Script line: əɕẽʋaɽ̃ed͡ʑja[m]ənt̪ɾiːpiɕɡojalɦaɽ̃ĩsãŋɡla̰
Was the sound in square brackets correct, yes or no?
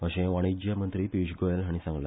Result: yes